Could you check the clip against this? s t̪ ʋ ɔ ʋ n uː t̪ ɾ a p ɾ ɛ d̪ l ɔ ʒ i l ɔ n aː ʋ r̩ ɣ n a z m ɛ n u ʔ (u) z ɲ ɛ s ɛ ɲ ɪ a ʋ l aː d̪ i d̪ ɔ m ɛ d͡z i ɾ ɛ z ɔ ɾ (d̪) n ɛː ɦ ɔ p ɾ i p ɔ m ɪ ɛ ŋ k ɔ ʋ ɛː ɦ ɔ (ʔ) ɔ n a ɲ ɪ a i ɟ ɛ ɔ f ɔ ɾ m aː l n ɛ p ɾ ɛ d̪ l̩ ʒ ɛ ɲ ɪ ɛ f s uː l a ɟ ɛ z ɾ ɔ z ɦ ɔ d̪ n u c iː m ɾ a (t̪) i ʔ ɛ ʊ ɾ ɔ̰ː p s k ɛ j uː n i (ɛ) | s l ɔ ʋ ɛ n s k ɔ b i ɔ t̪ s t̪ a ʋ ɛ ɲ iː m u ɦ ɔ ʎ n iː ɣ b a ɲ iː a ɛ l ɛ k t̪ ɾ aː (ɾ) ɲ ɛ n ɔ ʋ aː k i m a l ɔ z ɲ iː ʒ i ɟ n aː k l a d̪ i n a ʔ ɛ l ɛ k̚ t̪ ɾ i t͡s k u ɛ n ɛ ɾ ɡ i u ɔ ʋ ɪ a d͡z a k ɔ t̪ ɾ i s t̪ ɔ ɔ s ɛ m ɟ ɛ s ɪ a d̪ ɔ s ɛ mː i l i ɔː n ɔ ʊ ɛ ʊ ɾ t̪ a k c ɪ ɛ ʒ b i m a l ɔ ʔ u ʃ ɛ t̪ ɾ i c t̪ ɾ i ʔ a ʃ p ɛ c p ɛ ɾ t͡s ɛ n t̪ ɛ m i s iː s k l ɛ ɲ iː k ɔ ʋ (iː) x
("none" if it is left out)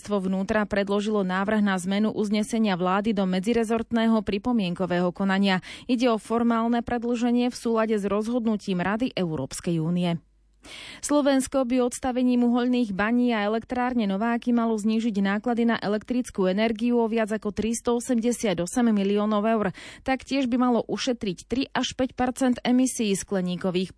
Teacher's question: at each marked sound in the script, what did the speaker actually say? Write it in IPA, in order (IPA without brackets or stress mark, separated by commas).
u, t̪, k, d̪, ɛ, ɾ, iː